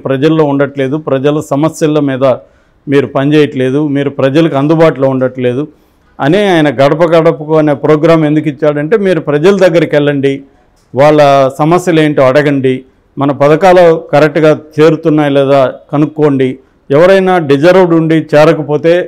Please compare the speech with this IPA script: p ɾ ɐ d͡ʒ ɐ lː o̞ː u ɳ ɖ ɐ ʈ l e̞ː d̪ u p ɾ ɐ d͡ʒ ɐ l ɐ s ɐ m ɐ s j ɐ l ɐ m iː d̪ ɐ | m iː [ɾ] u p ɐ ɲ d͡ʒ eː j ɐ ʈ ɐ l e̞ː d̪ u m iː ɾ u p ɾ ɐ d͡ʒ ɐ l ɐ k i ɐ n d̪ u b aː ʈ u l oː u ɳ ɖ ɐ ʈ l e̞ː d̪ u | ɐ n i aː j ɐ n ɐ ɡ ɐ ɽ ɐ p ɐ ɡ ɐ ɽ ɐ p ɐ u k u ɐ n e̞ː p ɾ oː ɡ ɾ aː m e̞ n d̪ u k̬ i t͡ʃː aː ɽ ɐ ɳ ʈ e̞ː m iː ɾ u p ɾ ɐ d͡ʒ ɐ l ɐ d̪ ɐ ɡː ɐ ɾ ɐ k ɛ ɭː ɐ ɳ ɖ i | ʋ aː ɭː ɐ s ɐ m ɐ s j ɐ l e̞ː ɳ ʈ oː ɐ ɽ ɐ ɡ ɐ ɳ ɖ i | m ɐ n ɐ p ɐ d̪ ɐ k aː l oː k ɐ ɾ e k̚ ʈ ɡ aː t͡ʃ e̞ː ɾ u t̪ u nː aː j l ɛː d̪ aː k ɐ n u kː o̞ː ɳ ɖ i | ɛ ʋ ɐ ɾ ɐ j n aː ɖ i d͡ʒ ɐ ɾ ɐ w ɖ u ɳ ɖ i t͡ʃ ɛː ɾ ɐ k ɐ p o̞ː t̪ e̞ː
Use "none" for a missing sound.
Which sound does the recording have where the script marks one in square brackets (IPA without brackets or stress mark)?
ɾ